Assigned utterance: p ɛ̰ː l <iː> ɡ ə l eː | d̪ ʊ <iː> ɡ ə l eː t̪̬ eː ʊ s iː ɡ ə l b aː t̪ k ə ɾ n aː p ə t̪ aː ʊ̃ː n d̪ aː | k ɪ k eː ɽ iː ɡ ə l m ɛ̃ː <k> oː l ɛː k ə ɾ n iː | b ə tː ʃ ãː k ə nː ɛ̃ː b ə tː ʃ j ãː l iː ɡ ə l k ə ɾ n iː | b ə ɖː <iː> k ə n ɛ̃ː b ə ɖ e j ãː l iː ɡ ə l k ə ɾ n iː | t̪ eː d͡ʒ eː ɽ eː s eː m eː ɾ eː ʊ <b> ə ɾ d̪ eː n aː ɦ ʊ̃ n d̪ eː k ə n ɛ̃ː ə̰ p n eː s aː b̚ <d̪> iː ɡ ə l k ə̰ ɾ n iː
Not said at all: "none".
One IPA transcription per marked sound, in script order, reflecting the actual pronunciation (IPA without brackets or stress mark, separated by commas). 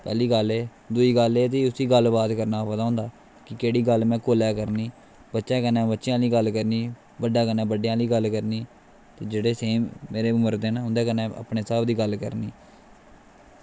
iː, iː, k, aː, m, d̪